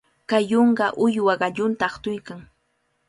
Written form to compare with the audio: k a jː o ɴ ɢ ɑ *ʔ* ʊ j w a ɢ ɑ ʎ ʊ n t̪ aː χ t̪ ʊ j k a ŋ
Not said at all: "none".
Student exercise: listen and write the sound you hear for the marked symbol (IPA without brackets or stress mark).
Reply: ʔ